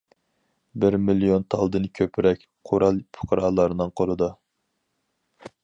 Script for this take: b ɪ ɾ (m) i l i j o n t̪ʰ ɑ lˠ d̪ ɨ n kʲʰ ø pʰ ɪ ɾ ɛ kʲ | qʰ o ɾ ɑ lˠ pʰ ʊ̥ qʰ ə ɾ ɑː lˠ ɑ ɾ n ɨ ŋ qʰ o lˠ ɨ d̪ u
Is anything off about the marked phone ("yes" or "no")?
no